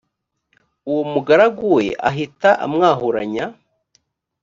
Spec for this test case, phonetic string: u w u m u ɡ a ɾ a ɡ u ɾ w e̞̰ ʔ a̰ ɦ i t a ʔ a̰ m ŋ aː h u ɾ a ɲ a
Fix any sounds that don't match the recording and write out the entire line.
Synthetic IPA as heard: u w o m u ɡ a ɾ a ɡ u w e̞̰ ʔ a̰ ɦ i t a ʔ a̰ m ŋ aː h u ɾ a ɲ a